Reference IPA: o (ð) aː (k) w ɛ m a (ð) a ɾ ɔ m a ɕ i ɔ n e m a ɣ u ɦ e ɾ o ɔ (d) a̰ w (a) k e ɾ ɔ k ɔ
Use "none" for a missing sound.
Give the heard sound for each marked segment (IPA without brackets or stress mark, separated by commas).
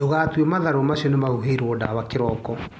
ɣ, t, ð, d, a